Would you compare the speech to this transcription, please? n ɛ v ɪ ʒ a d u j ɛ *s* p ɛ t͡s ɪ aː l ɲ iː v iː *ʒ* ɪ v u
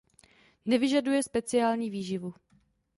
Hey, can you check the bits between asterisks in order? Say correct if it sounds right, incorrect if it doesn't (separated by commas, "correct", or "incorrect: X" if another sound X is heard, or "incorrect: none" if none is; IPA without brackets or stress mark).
correct, correct